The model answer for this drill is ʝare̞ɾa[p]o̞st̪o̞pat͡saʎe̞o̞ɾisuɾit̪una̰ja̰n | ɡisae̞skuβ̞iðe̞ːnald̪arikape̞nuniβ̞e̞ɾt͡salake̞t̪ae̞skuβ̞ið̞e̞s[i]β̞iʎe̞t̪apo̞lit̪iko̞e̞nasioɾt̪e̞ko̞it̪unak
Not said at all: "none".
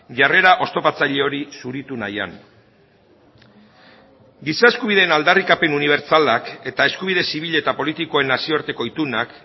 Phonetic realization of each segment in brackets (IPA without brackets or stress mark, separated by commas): ʔ, i